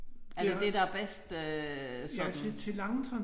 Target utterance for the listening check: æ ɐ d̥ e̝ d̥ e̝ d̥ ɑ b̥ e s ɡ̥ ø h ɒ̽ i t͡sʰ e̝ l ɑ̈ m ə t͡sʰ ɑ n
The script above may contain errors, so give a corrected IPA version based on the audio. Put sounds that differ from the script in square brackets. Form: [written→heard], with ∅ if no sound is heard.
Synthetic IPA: æ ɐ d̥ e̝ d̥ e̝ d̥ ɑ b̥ e s [ɡ̥→d̥] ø [h→s] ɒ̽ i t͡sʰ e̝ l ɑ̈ [m→ŋ] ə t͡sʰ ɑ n

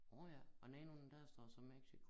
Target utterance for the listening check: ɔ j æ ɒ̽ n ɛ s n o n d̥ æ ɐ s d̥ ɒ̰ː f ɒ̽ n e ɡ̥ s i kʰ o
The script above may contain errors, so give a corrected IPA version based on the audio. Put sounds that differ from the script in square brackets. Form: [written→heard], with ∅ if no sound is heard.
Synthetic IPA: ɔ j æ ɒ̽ n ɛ [s→∅] n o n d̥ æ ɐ s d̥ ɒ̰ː [f→s] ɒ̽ [n→m] e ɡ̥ s i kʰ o

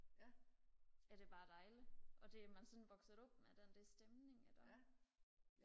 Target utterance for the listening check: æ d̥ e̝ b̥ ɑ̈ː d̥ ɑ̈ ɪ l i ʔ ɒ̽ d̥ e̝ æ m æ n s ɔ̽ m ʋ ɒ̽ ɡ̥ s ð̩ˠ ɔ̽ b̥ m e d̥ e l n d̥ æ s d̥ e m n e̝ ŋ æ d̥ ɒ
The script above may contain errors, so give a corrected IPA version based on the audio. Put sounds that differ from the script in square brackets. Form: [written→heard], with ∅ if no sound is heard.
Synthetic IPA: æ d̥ e̝ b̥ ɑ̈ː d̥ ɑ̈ ɪ l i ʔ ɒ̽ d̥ e̝ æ m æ n s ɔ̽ [m→n] ʋ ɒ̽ ɡ̥ s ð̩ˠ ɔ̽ b̥ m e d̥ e [l→∅] n d̥ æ s d̥ e m n e̝ ŋ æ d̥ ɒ

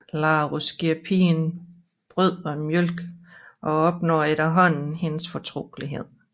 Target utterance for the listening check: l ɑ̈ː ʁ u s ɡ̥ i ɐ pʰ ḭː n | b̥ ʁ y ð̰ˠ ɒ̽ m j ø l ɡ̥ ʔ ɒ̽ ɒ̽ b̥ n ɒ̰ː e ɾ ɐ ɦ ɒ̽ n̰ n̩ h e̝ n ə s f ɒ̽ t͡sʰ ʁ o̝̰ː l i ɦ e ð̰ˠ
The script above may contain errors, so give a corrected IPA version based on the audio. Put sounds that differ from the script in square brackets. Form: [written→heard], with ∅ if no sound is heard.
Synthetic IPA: l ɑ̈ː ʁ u s ɡ̥ i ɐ pʰ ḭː n | b̥ ʁ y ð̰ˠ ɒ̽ m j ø l ɡ̥ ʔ ɒ̽ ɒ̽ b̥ n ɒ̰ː e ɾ ɐ ɦ ɒ̽ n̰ n̩ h e̝ n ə s f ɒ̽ t͡sʰ ʁ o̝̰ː l i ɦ e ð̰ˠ

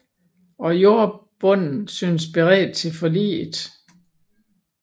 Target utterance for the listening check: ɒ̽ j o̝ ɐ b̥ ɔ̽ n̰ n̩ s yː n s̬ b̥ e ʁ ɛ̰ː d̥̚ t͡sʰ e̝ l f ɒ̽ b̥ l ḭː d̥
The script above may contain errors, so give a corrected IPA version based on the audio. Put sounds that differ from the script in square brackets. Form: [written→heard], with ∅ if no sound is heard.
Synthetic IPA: ɒ̽ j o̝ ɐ b̥ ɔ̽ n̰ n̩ s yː n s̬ b̥ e ʁ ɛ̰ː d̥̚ t͡sʰ e̝ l f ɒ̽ [b̥→∅] l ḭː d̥

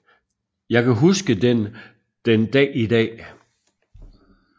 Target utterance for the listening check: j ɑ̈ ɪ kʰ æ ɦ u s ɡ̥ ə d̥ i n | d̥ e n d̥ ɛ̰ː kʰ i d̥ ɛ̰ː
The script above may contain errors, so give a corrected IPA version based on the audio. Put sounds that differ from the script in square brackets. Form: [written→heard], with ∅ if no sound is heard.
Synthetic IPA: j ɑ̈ ɪ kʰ æ ɦ u s ɡ̥ ə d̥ [i→e] n | d̥ e n d̥ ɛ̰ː [kʰ→∅] i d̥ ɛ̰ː

